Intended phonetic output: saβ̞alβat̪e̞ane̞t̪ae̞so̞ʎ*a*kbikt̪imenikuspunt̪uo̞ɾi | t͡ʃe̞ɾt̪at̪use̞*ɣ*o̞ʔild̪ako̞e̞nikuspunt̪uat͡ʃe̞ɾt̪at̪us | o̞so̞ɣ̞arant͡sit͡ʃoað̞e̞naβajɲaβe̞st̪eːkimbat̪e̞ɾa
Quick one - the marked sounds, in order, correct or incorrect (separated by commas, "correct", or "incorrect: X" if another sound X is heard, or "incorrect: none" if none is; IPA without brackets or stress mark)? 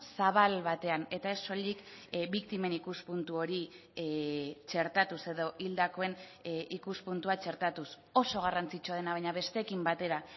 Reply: incorrect: i, incorrect: ð